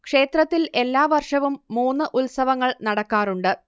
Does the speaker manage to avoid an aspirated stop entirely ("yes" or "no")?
yes